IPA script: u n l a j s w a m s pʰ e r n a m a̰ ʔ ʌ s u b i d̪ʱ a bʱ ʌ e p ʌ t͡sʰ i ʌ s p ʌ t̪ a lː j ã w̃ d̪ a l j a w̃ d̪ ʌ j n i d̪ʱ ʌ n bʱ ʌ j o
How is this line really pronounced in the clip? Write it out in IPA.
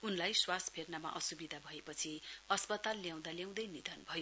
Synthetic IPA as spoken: u n l a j s w a s pʰ e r n a m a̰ ʔ ʌ s u b i d̪ʱ a bʱ ʌ e p ʌ t͡sʰ i ʌ s p ʌ t̪ a lː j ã w̃ d̪ a l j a w̃ d̪ ʌ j n i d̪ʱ ʌ n bʱ ʌ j o